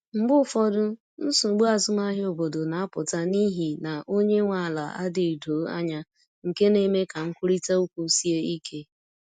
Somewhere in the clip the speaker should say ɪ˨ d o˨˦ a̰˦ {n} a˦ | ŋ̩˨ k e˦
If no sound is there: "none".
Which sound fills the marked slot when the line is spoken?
ɲ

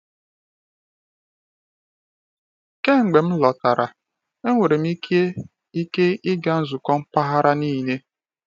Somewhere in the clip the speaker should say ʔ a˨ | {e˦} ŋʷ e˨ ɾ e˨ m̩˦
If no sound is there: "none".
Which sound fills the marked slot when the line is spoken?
e˦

